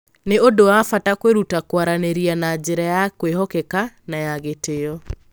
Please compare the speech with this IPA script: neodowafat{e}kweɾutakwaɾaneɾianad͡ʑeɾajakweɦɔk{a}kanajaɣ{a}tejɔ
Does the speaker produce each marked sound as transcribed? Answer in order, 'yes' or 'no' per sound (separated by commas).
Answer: no, no, no